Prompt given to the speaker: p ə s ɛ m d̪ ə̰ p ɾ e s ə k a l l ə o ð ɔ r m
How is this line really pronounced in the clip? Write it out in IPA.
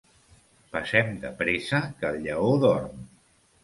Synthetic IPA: p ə s ɛ m d̪ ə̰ p ɾ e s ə k ə l ʎ ə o ð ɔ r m

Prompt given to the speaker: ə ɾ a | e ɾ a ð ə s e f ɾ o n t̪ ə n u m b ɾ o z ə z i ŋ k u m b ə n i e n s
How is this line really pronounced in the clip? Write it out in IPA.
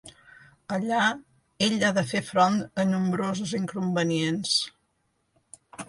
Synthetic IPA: ə ʎ a | e ʎ a ð ə f e f ɾ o n t̪ ə n u m b ɾ o z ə z i ŋ k u m b ə n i e n s

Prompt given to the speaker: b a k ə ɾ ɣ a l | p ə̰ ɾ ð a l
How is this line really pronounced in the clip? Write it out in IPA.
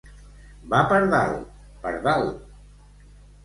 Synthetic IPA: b a p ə ɾ ð a l | p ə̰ ɾ ð a l

